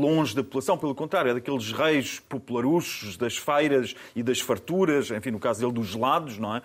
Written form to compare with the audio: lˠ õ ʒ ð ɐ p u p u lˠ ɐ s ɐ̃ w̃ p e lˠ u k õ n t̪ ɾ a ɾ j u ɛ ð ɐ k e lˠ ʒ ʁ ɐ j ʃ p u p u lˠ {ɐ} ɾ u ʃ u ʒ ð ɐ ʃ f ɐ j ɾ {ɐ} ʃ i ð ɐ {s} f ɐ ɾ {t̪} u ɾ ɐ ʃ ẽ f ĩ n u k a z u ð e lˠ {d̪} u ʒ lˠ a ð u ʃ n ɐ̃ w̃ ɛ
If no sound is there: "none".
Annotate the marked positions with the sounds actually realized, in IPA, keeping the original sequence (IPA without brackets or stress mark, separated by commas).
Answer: ɐ, ɐ, ʃ, t̪, d̪